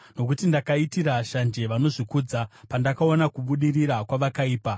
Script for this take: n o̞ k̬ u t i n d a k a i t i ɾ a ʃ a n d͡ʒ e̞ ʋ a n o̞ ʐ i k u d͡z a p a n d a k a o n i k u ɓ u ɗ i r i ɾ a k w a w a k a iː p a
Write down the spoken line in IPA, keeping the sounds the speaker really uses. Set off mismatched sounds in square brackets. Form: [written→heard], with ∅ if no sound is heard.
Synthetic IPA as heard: n o̞ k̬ u t i n d a k a i t i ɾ a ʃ a n d͡ʒ e̞ ʋ a n o̞ ʐ i k u d͡z a p a n d a k a o n [i→a] k u ɓ u ɗ i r i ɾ a k w a [w→ʋ] a k a iː p a